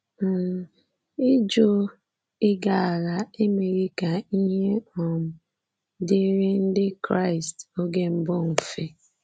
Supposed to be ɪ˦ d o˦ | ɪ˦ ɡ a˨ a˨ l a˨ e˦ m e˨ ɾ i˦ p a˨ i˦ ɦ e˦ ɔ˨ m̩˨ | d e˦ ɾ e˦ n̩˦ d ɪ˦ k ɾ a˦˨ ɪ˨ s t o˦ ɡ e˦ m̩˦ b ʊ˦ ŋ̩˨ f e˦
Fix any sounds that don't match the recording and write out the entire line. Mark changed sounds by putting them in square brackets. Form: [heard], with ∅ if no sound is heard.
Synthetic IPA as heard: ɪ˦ [d͡ʒ] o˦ | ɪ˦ ɡ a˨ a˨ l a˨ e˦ m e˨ ɾ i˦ [k] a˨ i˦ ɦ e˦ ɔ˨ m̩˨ | d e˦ ɾ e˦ n̩˦ d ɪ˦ k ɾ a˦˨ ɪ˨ s t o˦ ɡ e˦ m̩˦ b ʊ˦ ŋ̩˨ f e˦